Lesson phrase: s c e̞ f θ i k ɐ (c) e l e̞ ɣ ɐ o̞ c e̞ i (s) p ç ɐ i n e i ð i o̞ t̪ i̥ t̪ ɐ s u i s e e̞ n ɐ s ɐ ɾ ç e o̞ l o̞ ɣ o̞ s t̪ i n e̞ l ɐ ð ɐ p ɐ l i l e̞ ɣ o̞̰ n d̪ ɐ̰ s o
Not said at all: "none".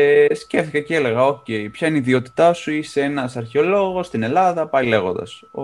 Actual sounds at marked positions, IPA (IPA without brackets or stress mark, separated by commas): c, none